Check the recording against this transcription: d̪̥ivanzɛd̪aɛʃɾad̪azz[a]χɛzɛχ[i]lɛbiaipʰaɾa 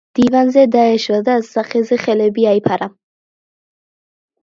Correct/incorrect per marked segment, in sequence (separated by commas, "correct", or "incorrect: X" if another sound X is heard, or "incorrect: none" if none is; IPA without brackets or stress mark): correct, incorrect: ɛ